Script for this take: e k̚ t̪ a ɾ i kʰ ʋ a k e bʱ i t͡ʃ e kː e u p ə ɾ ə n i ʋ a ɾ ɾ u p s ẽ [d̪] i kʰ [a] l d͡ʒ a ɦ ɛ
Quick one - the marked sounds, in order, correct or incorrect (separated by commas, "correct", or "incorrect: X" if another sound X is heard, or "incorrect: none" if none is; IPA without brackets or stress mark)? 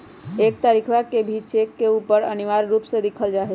correct, incorrect: ə